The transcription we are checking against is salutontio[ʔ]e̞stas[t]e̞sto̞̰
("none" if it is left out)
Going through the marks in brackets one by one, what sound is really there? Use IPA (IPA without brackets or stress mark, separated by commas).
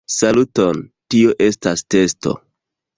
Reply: ʔ, t